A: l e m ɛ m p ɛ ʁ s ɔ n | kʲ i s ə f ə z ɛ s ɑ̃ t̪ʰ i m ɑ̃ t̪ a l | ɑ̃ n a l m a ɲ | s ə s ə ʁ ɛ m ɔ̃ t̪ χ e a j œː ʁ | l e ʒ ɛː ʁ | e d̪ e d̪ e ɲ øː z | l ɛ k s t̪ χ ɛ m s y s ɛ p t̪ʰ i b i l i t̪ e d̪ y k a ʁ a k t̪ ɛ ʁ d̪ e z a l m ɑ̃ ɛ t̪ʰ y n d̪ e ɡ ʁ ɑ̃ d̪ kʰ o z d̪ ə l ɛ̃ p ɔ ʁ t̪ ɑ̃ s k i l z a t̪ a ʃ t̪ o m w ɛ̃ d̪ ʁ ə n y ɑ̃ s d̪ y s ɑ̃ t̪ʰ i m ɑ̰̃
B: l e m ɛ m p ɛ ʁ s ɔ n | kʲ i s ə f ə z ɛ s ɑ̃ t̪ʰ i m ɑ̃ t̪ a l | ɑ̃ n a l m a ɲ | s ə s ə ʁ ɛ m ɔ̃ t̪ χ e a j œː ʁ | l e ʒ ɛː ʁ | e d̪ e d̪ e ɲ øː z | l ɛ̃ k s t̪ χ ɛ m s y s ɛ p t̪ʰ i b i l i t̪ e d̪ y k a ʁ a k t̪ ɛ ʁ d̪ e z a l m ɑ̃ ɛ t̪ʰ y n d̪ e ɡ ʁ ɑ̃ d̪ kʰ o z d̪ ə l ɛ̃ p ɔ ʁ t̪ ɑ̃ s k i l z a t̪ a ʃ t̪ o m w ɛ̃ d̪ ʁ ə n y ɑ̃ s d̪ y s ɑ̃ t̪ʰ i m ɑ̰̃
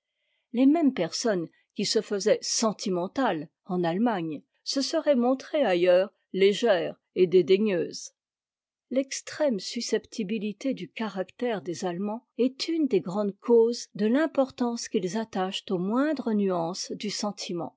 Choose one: A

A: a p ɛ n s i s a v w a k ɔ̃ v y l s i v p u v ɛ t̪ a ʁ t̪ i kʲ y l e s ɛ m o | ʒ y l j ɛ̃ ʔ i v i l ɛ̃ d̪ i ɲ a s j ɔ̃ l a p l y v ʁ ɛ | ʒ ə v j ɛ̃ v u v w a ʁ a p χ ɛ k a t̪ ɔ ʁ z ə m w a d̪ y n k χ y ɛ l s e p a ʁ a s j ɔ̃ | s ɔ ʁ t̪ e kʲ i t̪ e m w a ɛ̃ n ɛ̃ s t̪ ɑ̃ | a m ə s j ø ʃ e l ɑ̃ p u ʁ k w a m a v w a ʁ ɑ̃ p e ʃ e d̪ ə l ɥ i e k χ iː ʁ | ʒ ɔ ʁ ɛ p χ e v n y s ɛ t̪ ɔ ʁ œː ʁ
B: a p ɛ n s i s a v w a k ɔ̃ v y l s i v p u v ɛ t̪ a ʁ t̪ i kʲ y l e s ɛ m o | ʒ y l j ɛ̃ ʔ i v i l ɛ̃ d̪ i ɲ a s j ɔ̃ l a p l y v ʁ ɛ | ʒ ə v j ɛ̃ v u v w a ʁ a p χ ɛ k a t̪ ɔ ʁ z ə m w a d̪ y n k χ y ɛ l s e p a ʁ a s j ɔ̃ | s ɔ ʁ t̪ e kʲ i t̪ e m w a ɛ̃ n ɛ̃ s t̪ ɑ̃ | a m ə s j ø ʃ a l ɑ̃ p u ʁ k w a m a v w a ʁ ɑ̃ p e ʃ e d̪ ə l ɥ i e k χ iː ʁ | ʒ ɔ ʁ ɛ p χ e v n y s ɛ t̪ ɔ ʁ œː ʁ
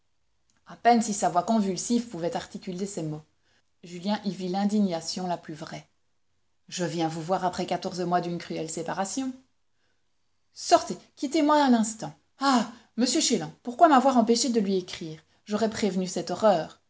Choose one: A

